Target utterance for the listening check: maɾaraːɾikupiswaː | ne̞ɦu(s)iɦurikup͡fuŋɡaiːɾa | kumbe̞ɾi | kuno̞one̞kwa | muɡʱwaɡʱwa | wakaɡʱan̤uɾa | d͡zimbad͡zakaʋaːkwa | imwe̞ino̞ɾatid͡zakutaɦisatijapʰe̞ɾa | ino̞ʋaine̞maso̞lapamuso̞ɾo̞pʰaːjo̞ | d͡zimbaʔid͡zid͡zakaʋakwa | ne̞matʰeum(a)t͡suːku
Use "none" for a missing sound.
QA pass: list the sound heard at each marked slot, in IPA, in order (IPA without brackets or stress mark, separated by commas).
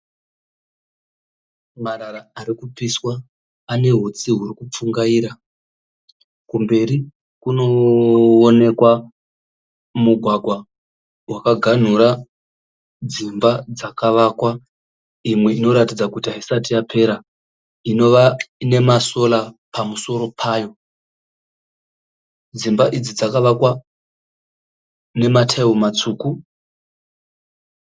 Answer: t͡s, a